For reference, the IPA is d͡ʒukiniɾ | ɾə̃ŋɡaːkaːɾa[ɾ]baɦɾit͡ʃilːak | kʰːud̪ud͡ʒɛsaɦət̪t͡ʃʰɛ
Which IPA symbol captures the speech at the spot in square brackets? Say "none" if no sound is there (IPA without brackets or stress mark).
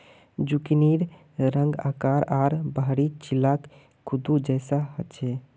ɾ